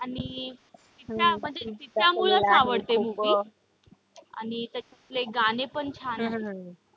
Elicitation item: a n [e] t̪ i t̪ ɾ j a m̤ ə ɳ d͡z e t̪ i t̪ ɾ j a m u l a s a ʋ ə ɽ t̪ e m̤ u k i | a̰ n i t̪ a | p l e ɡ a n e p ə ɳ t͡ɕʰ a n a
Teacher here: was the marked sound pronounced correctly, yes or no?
no